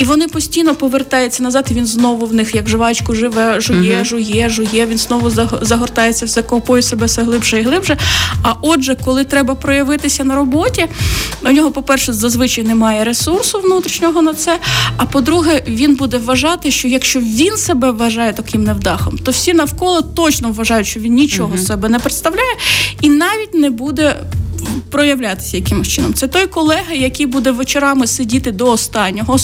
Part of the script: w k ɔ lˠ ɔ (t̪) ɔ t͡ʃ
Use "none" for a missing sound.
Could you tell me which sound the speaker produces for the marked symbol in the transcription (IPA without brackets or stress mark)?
t̪